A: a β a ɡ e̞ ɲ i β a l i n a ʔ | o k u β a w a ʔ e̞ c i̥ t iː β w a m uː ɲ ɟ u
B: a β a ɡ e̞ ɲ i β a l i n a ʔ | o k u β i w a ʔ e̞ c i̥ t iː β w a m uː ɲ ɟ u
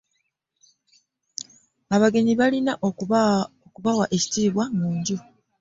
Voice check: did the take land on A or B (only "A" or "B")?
A